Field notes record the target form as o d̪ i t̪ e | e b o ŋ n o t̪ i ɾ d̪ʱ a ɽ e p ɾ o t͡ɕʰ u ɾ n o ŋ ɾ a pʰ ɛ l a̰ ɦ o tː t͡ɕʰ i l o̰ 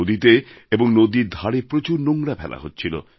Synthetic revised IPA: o d̪ i t̪ e | e b o ŋ n o d̪ i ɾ d̪ʱ a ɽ e p ɾ o t͡ɕ u ɾ n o ŋ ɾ a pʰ ɛ l a̰ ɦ o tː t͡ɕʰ i l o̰